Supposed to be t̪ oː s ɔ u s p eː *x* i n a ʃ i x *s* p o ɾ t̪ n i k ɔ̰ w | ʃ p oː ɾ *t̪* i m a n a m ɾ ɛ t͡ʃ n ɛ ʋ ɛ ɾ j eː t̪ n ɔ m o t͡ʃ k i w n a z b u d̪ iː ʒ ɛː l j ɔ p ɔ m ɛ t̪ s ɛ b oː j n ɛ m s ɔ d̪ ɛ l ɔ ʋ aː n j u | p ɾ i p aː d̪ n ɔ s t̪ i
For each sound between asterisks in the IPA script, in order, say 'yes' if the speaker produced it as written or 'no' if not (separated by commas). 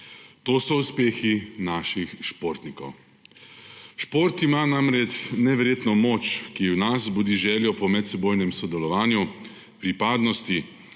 yes, no, yes